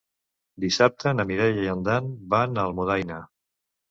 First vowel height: high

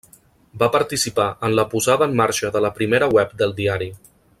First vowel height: low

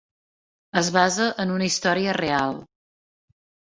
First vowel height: mid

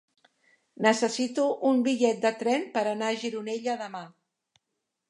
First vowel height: mid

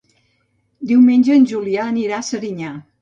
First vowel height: high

